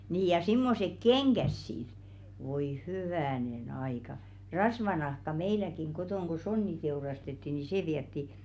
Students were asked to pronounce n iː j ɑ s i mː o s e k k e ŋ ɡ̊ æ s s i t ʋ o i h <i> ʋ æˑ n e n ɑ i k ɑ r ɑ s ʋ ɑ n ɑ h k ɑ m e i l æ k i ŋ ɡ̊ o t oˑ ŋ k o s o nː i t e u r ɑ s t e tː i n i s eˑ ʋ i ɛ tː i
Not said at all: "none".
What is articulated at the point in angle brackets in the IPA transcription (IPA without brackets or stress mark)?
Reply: y